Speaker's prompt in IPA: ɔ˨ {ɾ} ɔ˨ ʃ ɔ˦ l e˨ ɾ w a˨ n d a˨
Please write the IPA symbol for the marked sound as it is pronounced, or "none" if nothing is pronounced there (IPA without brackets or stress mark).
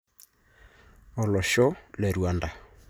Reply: l